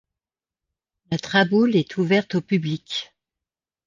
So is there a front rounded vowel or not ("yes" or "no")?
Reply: yes